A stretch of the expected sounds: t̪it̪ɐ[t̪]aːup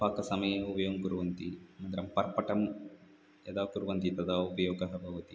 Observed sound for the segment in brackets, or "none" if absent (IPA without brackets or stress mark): d̪